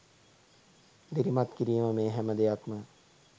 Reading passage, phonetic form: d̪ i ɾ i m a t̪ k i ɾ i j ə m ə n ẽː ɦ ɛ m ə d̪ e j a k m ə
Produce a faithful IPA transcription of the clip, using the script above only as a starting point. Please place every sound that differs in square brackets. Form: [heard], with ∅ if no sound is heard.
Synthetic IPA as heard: d̪ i ɾ i m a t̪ k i ɾ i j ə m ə [m] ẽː ɦ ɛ m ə d̪ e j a k m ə